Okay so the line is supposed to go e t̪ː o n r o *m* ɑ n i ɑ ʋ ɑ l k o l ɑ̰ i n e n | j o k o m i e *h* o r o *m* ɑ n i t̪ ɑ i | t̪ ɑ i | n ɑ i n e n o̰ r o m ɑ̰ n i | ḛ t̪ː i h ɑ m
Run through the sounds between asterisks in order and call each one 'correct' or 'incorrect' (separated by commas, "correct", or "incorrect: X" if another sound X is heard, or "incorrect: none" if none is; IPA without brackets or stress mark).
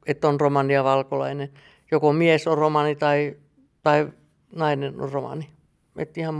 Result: correct, incorrect: s, correct